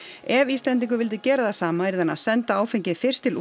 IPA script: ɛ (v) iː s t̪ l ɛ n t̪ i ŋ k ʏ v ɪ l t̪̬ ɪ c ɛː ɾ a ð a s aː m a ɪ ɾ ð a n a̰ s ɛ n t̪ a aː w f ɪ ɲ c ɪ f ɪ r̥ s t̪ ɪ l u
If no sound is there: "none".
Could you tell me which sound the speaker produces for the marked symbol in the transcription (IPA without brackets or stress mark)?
v